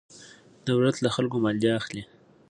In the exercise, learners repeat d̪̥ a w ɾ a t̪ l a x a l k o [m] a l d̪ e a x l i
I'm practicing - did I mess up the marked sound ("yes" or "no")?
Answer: no